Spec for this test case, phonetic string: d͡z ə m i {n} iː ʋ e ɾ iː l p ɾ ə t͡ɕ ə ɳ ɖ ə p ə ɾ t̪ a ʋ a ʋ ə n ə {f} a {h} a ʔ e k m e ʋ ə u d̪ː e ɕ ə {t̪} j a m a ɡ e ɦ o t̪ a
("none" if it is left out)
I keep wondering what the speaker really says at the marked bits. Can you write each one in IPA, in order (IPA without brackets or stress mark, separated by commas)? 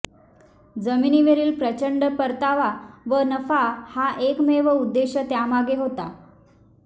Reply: n, f, h, t̪